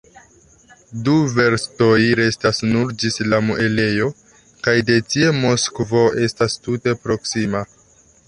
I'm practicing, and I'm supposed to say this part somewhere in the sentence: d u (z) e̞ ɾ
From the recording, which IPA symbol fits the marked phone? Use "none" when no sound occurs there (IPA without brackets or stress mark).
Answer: v